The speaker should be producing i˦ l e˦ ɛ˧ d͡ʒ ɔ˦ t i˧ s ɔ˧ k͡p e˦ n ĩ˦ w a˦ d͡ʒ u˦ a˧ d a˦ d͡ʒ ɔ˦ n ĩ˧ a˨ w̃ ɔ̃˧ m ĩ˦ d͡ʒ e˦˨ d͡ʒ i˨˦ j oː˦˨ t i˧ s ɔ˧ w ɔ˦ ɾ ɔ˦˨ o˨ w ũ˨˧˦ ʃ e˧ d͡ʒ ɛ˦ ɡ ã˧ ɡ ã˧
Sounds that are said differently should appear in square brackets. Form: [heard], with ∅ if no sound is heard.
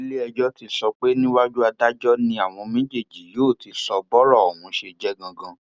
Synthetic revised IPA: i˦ l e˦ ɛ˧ d͡ʒ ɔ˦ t i˧ s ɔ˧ k͡p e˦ n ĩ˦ w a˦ d͡ʒ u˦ a˧ d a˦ d͡ʒ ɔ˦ n ĩ˧ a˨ w̃ ɔ̃˧ m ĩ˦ d͡ʒ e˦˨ d͡ʒ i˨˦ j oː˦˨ t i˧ s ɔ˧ [b] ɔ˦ ɾ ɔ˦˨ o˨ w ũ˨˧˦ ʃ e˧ d͡ʒ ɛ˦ ɡ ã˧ ɡ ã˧